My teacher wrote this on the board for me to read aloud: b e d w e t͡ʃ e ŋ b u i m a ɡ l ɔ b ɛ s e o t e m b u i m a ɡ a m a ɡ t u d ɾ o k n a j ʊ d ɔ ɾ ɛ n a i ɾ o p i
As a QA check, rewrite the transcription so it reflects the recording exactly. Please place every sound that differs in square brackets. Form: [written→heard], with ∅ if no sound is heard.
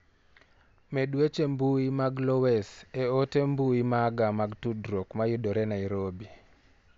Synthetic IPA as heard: [b→m] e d w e t͡ʃ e [ŋ→m] b u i m a ɡ l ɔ [b→w] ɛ s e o t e m b u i m a ɡ a m a ɡ t u d ɾ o k [n→m] a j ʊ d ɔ ɾ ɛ n a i ɾ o [p→b] i